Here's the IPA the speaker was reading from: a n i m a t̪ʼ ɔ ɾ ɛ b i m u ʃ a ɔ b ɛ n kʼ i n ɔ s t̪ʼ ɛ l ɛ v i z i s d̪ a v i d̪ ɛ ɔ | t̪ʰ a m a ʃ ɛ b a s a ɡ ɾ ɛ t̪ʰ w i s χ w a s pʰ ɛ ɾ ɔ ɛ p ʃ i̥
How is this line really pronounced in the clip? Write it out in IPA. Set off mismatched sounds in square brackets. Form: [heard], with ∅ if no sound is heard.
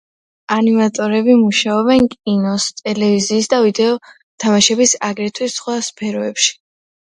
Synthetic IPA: a n i m a t̪ʼ ɔ ɾ ɛ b i m u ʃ a ɔ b ɛ n kʼ i n ɔ s t̪ʼ ɛ l ɛ v i z [iː] s d̪ a v i d̪ ɛ ɔ | t̪ʰ a m a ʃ ɛ b [i] s a ɡ ɾ ɛ t̪ʰ w i s χ w a s pʰ ɛ ɾ ɔ ɛ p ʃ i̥